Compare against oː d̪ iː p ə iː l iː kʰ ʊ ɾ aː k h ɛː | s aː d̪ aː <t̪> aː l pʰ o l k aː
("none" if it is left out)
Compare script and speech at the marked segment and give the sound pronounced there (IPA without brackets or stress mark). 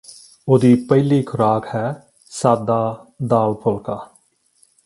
d̪